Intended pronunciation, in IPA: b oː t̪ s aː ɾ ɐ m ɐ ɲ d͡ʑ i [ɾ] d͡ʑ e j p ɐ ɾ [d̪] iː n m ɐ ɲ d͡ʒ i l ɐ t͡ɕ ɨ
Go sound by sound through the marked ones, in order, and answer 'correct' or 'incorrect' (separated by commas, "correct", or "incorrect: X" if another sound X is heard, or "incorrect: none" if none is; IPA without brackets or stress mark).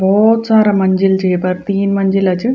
incorrect: l, incorrect: t̪